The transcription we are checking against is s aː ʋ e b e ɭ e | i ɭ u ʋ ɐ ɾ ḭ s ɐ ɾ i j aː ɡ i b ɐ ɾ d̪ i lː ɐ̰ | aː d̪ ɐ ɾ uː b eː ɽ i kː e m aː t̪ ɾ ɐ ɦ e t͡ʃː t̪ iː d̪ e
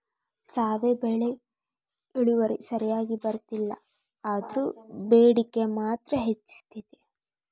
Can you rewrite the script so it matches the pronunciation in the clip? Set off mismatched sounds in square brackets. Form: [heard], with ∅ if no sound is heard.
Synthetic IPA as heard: s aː ʋ e b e ɭ e | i ɭ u ʋ ɐ ɾ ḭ s ɐ ɾ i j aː ɡ i b ɐ ɾ [t̪] i lː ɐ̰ | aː d̪ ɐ ɾ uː b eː ɽ i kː e m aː t̪ ɾ ɐ ɦ e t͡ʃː t̪ [i] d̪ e